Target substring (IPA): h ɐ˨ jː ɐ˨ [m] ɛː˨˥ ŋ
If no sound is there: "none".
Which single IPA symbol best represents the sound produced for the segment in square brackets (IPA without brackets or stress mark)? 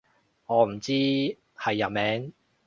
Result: m